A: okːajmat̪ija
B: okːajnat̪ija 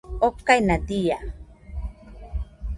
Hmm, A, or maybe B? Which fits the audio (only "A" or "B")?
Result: B